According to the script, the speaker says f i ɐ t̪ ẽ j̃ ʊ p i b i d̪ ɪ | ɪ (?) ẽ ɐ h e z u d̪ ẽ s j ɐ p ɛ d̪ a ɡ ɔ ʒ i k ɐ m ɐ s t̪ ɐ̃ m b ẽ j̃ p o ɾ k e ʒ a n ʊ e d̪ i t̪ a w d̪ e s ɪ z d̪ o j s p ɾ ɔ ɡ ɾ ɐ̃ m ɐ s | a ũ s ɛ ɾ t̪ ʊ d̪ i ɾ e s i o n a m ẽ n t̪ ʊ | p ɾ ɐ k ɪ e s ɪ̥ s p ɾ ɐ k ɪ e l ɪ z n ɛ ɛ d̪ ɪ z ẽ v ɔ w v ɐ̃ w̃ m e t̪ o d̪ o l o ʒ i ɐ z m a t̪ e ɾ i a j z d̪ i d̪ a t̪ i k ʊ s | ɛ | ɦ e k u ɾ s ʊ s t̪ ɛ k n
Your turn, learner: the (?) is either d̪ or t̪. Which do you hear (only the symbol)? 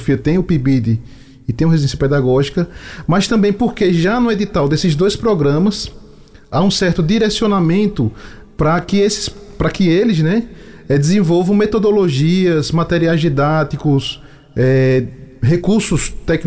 t̪